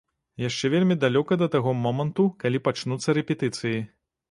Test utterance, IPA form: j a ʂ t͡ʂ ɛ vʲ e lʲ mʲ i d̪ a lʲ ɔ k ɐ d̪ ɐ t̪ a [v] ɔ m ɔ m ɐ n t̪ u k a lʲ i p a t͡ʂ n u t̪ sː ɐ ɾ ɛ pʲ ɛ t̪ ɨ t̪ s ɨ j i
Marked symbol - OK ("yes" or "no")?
no